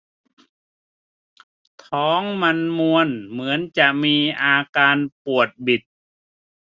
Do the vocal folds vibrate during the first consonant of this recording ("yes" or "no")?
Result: no